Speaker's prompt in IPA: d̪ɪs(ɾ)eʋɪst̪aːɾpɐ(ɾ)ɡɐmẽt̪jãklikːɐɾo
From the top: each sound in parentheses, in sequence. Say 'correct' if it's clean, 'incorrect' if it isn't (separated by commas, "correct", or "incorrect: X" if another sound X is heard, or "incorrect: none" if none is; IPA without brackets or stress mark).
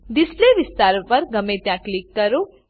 incorrect: l, correct